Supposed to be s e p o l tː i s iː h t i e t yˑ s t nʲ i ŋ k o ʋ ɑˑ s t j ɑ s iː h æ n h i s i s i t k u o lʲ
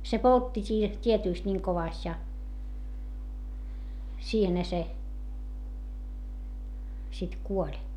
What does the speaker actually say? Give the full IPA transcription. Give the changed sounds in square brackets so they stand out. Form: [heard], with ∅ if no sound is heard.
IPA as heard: s e p o l tː i s iː h t i e t yˑ s t nʲ i ŋ k o ʋ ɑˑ s t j ɑ s iː h [e] n h [æ] s [e] s i t k u o lʲ